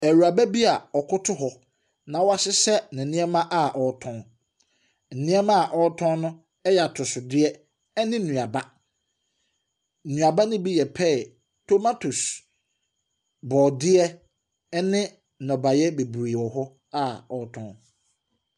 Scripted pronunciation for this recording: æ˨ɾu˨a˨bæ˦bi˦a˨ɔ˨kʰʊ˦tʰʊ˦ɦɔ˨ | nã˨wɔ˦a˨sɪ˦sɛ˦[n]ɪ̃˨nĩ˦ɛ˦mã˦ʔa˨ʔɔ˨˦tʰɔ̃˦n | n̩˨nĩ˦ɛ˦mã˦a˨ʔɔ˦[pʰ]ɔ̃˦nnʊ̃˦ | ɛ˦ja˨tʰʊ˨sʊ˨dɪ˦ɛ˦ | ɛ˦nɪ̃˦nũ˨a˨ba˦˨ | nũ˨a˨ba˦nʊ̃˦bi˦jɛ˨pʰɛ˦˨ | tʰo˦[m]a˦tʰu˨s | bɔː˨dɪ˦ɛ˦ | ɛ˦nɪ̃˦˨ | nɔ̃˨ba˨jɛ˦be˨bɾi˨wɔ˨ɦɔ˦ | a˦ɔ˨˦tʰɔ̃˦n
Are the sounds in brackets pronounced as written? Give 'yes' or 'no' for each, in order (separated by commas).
yes, no, yes